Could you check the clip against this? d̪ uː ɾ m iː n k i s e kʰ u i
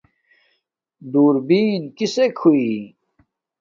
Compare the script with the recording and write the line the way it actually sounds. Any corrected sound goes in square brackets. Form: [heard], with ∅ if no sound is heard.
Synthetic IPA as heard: d̪ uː ɾ [b] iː n k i s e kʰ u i

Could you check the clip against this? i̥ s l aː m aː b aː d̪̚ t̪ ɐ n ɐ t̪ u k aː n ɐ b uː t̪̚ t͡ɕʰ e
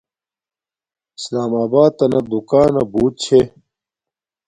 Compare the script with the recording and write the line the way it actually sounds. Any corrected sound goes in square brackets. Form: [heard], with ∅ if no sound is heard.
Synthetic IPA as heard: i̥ s l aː m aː b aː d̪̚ t̪ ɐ n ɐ [d̪] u k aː n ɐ b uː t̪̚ t͡ɕʰ e

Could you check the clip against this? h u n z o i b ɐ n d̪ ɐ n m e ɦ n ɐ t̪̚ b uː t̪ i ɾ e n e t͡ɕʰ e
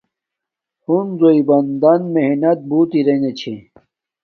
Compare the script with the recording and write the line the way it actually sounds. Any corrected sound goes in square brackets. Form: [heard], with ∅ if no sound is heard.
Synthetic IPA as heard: h u n z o i b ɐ n d̪ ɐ n m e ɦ n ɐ t̪̚ b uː t̪ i ɾ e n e t͡ɕʰ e

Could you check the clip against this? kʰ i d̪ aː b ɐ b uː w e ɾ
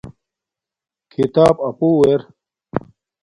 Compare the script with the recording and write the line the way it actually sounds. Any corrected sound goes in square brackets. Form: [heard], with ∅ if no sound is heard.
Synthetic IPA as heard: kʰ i [t̪] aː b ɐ [p] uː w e ɾ

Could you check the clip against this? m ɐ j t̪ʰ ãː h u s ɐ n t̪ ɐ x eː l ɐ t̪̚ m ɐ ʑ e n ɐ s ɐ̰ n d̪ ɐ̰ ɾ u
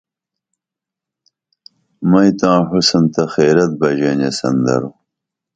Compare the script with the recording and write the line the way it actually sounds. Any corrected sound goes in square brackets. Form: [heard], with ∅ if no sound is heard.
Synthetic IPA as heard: m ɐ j [t̪] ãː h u s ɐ n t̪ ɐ x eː [ɾ] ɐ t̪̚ [b] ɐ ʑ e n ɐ s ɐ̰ n d̪ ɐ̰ ɾ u

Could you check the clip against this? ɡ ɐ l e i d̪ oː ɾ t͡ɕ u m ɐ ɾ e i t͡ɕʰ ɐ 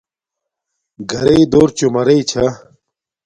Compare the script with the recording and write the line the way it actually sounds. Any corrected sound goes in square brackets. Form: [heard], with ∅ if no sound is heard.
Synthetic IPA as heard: ɡ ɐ [ɾ] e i d̪ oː ɾ t͡ɕ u m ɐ ɾ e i t͡ɕʰ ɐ

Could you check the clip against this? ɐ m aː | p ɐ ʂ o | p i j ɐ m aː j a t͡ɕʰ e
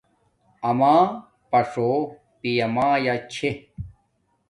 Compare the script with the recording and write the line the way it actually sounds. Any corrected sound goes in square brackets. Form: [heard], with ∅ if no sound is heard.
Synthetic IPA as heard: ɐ m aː | p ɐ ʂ o | p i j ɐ m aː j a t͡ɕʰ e

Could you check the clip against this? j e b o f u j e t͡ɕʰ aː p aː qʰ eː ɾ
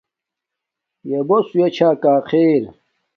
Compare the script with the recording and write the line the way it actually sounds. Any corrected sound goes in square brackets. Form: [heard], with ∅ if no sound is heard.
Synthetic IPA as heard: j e b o [s] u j e t͡ɕʰ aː [k] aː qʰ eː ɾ

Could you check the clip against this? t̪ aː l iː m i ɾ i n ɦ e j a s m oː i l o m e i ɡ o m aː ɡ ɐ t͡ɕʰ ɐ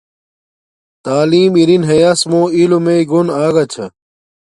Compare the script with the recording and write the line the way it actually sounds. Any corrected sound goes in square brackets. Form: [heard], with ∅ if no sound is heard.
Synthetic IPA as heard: t̪ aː l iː m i ɾ i n ɦ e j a s m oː i l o m e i ɡ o [n] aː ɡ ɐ t͡ɕʰ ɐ

